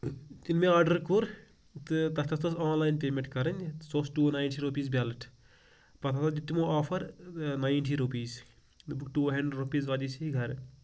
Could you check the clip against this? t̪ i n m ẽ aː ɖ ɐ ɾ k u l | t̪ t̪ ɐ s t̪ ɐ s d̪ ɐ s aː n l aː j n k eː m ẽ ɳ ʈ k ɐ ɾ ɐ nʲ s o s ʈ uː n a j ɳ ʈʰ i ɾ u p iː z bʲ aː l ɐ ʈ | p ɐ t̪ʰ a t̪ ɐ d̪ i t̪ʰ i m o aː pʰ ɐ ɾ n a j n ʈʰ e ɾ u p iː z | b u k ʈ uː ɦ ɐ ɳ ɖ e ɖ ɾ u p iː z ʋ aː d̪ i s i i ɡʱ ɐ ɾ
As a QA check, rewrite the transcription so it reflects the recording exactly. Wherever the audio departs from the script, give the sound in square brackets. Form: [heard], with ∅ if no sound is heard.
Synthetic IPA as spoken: t̪ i n m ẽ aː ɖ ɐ ɾ k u [ɾ] | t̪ t̪ ɐ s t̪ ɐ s [t̪] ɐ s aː n l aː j n [p] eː m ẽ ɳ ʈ k ɐ ɾ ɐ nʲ s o s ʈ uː n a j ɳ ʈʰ i ɾ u p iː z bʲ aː l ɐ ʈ | p ɐ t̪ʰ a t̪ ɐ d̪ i [t̪] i m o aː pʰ ɐ ɾ n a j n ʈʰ [i] ɾ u p iː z | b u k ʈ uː ɦ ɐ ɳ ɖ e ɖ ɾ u p iː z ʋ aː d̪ i s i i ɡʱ ɐ ɾ